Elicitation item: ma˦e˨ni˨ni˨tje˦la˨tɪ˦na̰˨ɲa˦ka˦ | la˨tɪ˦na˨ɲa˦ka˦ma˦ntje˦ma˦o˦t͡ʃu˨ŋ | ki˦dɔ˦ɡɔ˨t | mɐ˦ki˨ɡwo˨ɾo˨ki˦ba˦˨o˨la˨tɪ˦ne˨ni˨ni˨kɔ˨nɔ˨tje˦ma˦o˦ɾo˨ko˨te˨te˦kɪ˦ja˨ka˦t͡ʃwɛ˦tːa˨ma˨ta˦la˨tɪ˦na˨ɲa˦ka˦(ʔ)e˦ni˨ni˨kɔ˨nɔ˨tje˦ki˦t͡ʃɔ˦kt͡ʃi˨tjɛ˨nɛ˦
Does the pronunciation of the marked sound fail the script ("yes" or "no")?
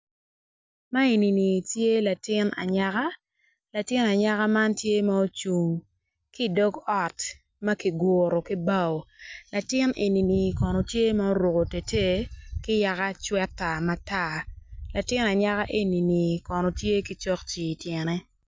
no